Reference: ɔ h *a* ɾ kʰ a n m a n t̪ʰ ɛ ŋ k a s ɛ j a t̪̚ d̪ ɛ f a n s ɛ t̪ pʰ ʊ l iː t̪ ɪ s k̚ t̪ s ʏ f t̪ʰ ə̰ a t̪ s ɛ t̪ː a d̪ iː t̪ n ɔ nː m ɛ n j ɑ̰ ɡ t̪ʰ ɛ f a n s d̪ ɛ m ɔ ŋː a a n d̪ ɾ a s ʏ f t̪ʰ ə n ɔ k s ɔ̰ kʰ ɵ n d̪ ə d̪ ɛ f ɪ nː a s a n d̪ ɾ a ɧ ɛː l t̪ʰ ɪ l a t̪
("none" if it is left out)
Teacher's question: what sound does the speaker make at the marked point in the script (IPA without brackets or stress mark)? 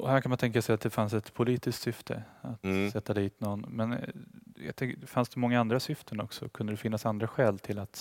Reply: æ